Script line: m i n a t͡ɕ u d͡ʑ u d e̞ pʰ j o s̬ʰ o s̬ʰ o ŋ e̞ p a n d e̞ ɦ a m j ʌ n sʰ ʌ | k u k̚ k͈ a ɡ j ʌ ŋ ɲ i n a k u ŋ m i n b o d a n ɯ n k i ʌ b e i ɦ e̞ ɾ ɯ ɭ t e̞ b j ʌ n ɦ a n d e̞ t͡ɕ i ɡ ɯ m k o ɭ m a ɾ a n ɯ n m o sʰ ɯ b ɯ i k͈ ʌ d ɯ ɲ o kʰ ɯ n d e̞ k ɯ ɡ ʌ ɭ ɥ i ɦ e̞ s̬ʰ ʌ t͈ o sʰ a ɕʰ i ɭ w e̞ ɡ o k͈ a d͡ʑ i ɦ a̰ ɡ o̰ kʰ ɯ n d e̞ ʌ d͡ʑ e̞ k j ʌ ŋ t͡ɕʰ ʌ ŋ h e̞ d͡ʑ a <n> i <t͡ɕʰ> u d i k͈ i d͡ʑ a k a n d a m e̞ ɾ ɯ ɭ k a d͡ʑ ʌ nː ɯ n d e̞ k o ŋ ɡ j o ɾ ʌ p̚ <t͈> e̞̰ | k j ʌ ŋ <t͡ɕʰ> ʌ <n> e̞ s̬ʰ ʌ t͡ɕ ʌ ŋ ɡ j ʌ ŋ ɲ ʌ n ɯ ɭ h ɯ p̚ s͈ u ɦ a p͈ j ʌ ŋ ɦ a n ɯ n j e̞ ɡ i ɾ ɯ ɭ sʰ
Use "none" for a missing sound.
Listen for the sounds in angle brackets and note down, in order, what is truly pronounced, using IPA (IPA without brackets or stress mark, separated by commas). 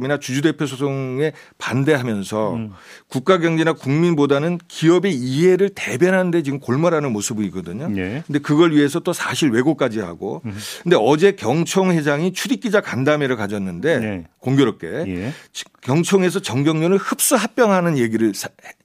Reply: ŋ, t͡ɕʰ, k͈, t͡ɕʰ, ŋ